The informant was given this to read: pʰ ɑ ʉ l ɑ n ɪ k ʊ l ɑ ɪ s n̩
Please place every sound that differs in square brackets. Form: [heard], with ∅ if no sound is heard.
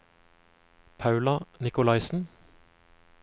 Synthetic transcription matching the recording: pʰ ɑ ʉ l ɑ n ɪ k ʊ l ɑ ɪ s n̩